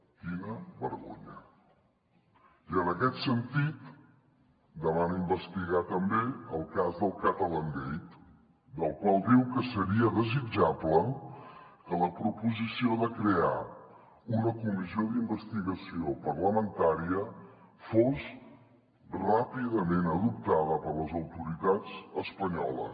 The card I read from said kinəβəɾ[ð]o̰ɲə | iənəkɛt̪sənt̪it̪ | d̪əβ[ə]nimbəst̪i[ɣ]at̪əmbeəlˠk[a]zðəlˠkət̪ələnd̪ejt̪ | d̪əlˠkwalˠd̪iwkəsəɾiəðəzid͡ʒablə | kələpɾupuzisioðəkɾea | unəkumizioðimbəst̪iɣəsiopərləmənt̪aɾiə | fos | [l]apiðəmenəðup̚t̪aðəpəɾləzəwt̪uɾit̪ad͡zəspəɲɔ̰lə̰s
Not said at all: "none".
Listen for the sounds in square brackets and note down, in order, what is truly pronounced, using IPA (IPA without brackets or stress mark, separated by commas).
ɣ, a, ɣ, a, r